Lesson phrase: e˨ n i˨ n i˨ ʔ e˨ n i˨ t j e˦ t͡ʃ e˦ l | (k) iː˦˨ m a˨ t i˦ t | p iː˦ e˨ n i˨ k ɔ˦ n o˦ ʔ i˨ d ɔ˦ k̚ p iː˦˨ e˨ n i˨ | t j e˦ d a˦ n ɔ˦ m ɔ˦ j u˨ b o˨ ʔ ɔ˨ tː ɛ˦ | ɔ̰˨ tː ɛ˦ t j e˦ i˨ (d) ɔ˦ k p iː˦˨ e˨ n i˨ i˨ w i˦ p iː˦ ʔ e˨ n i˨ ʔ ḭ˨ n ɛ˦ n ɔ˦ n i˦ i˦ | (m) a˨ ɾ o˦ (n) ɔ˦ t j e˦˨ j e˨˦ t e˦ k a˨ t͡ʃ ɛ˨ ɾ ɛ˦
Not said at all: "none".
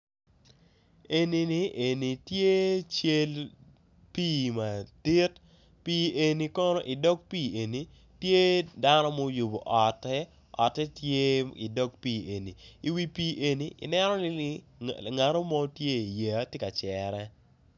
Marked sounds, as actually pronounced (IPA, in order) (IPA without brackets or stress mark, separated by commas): p, d, ŋ, m